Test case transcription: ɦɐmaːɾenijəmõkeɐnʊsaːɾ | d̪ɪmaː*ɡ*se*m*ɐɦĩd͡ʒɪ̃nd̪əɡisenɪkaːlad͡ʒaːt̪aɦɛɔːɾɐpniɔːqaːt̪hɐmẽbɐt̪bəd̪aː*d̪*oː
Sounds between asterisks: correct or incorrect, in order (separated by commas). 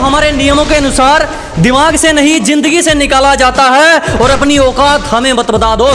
correct, incorrect, correct